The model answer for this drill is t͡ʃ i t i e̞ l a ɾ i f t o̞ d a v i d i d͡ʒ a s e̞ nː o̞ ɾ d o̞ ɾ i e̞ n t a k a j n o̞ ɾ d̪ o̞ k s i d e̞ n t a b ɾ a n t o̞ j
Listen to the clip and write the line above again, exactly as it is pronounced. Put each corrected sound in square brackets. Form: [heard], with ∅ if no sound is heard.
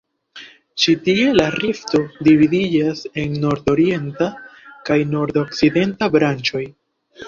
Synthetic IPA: t͡ʃ i t i e̞ l a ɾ i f t o̞ d [i] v i d i d͡ʒ a s e̞ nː o̞ ɾ d o̞ ɾ i e̞ n t a k a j n o̞ ɾ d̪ o̞ k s i d e̞ n t a b ɾ a n [t͡ʃ] o̞ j